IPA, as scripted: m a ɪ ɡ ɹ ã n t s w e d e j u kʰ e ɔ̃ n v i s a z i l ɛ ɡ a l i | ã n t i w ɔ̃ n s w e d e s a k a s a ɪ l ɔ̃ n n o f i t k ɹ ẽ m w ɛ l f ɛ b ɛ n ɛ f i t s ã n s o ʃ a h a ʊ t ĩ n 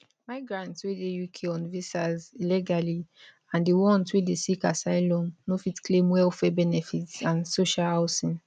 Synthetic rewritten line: m a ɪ ɡ ɹ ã n t s w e d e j u kʰ e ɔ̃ n v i s a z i l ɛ ɡ a l i | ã n d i w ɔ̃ n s w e d e s i k a s a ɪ l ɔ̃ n n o f i t k l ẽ m w ɛ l f ɛ b ɛ n ɛ f i t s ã n s o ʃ a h a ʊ s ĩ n